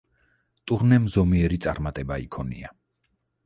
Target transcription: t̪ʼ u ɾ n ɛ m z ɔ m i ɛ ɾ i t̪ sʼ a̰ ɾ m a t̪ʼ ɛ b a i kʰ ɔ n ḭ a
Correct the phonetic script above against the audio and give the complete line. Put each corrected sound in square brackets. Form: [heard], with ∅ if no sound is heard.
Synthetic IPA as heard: t̪ʼ u ɾ n ɛ m z ɔ m i ɛ ɾ i t̪ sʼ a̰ ɾ m a t̪ʼ ɛ b a i kʰ ɔ n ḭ a